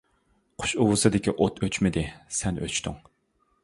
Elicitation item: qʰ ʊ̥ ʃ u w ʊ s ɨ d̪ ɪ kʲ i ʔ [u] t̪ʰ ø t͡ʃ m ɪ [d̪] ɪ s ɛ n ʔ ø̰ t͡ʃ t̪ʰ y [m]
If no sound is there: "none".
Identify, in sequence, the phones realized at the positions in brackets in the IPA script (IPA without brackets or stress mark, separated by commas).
o, d̪, ŋ